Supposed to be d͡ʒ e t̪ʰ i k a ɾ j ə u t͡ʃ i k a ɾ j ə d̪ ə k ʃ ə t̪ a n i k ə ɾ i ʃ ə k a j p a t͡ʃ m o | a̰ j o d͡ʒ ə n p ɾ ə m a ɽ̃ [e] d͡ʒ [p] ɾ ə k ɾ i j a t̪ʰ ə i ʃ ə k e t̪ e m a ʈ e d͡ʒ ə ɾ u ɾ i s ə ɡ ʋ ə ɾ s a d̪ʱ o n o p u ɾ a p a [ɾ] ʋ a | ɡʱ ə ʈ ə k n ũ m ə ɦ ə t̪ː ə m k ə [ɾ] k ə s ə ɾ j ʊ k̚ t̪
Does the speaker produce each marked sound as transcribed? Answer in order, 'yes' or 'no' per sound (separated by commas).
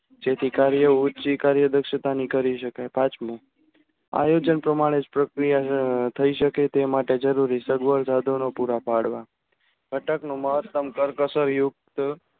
yes, yes, no, yes